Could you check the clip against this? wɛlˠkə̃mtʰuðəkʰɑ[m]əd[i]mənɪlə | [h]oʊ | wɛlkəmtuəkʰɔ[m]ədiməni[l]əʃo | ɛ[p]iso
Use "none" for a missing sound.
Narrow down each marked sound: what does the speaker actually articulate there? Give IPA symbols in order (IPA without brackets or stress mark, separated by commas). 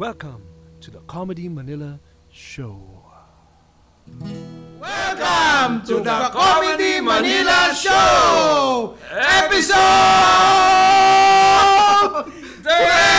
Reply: m, i, ʃ, m, l, p